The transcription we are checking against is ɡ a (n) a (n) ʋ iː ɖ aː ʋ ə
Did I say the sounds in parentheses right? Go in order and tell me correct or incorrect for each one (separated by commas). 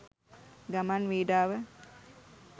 incorrect, correct